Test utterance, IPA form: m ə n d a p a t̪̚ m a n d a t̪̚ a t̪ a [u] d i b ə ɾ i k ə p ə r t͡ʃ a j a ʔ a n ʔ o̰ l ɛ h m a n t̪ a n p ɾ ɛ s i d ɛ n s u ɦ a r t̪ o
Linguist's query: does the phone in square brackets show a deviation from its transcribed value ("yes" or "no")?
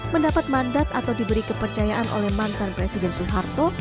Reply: yes